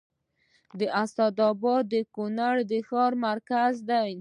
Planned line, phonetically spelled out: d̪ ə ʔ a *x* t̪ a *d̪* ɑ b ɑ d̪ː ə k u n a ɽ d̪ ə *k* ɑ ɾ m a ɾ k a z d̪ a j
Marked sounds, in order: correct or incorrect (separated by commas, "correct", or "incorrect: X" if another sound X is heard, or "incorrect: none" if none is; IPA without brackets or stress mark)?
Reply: incorrect: s, correct, incorrect: x